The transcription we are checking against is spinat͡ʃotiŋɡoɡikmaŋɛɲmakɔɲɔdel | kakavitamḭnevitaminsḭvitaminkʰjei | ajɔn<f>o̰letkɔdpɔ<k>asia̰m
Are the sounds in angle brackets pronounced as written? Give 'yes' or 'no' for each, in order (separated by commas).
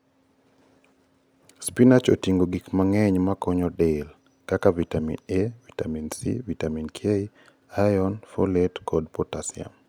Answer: yes, no